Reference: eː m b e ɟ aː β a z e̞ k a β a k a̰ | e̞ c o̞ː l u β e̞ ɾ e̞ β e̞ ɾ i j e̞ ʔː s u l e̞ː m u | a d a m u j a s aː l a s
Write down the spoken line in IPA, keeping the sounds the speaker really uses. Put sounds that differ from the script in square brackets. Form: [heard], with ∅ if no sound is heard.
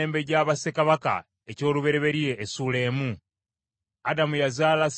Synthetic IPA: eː m b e ɟ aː β a [s] e̞ k a β a k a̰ | e̞ c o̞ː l u β e̞ ɾ e̞ β e̞ ɾ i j e̞ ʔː s u l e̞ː m u | a d a m u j a [z] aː l a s

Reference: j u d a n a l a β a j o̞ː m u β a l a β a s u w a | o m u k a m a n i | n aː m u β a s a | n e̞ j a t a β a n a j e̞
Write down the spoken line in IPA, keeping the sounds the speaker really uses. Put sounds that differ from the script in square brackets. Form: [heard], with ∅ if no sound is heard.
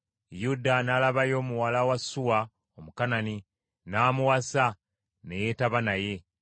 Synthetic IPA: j u d a n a l a β a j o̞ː m u [w] a l a [w] a s u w a | o m u k a [n] a n i | n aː m u [w] a s a | n e̞ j [e] t a β a n a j e̞

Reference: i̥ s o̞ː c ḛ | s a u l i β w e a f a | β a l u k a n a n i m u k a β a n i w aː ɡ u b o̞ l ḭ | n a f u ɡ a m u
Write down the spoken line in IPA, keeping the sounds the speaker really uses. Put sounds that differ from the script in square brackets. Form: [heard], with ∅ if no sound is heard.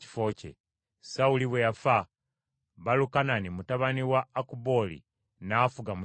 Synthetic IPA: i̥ [f] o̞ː c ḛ | s a u l i β w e a f a | β a l u k a n a n i m u [t] a β a n i w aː [k] u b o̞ l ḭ | n a f u ɡ a m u

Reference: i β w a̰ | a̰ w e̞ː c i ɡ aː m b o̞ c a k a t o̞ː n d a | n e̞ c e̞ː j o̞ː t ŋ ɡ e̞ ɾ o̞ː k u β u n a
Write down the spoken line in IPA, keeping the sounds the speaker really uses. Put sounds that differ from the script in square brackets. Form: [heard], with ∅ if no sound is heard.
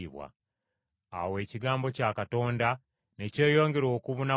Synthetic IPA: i β w a̰ | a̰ w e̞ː c i ɡ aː m b o̞ c a k a t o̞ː n d a | n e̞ c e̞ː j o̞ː [∅] ŋ ɡ e̞ ɾ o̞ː k u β u n a

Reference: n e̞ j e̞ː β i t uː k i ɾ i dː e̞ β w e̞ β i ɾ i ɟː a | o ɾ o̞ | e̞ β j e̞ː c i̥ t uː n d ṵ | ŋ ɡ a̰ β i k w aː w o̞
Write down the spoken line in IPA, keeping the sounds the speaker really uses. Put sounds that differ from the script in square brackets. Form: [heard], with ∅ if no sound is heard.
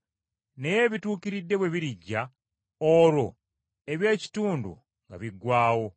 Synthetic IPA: n e̞ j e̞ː β i t uː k i ɾ i dː e̞ β w e̞ β i ɾ i ɟː a | o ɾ o̞ | e̞ β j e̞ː c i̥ t uː n d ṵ | ŋ ɡ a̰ β i [ɡ] w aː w o̞

